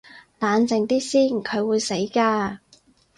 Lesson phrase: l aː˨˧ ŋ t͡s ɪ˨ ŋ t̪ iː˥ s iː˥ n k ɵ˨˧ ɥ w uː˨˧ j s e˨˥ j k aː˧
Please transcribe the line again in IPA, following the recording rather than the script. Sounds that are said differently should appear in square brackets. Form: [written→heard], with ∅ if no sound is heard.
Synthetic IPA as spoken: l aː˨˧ [ŋ→n] t͡s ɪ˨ ŋ t̪ iː˥ s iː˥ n [k→kʰ] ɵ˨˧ ɥ w uː˨˧ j s e˨˥ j k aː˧